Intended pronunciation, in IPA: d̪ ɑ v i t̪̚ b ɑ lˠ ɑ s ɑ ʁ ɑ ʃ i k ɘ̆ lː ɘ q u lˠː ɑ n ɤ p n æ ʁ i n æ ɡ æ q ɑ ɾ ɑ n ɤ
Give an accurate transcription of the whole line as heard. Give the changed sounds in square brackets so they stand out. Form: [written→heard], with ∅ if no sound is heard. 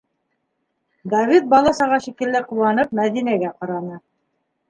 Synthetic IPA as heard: d̪ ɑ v i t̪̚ b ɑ lˠ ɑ s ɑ ʁ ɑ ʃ i k ɘ̆ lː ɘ q u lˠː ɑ n ɤ p [n→m] æ [ʁ→ð] i n æ ɡ æ q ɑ ɾ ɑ n ɤ